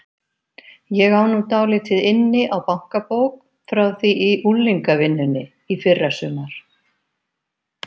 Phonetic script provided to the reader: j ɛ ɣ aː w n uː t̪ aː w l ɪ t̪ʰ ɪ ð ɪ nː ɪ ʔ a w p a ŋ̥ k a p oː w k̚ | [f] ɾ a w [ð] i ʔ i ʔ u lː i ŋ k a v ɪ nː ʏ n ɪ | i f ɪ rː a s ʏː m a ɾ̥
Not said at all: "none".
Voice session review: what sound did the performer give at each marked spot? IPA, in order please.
f, θ

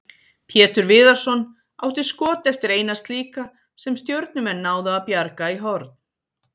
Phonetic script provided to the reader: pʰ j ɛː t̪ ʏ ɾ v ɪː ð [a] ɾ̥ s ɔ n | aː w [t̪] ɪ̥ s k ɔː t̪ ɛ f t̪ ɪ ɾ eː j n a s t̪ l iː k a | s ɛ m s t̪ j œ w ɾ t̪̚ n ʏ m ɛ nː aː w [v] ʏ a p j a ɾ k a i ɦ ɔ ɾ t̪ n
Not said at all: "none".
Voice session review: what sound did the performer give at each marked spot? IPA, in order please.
a, t̪, ð

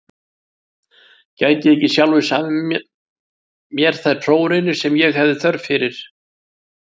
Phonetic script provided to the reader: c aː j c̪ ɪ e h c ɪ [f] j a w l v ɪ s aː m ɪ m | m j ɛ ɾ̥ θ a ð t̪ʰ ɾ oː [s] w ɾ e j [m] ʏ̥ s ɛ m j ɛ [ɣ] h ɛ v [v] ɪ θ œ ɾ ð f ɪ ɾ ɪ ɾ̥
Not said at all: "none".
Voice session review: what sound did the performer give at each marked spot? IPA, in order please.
s, none, n, ɣ, ð

